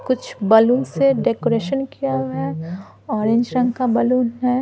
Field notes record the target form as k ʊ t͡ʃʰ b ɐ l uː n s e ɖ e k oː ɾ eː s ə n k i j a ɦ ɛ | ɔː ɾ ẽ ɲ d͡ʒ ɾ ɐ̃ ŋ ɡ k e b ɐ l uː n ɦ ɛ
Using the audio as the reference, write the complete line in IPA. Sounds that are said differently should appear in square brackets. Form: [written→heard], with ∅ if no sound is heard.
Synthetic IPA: k ʊ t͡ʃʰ b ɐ l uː n s e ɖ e k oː ɾ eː [s→ʃ] ə n k i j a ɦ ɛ | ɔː ɾ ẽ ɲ d͡ʒ ɾ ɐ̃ ŋ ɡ k [e→a] b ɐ l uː n ɦ ɛ